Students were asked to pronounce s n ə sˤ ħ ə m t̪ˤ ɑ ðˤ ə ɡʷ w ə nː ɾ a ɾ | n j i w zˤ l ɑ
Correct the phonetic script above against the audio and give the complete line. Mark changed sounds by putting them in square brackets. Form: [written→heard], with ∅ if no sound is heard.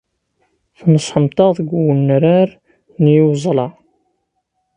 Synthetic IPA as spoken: [s→θ] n ə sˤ ħ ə m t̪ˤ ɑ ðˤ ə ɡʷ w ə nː ɾ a ɾ | n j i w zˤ l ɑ